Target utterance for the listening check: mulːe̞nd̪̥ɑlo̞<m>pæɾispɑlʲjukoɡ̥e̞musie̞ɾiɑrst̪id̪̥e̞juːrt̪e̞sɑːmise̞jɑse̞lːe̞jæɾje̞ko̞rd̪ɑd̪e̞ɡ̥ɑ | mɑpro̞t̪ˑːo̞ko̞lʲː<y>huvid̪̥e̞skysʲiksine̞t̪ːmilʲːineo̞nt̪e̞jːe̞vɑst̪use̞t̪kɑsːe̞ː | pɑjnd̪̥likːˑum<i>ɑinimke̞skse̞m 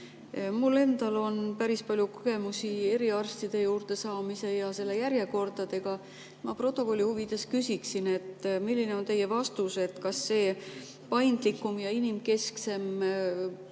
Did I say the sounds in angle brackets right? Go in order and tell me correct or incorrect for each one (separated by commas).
incorrect, incorrect, incorrect